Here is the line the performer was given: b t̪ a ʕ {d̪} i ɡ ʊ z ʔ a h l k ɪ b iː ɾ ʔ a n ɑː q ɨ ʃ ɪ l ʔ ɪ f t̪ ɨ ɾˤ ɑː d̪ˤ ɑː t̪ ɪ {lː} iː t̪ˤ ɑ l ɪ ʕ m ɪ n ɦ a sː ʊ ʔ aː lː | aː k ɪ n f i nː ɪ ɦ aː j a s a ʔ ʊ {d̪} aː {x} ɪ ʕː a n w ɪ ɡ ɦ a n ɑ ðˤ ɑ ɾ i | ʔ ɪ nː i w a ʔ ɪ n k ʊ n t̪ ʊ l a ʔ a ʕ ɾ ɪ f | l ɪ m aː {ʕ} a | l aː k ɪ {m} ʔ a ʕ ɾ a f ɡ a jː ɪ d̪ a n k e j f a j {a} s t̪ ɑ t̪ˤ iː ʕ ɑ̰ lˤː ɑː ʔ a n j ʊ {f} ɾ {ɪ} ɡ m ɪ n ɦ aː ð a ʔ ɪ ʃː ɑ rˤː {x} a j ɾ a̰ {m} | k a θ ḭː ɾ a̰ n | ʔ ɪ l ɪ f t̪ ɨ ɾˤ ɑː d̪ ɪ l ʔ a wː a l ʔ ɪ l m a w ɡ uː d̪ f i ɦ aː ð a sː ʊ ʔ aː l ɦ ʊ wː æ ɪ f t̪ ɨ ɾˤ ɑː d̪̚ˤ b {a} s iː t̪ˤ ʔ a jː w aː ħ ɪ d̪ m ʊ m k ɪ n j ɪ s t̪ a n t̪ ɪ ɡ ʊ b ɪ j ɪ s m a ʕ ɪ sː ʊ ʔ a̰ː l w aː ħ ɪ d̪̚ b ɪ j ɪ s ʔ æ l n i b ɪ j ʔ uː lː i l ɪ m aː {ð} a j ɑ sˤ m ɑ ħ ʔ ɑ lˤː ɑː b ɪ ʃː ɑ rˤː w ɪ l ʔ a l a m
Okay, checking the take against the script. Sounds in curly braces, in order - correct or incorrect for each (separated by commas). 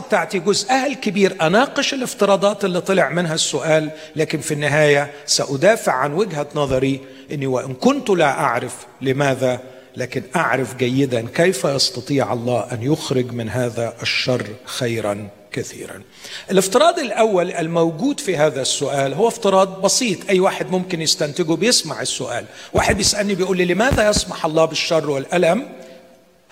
incorrect, correct, correct, incorrect, incorrect, incorrect, incorrect, incorrect, correct, correct, incorrect, incorrect, correct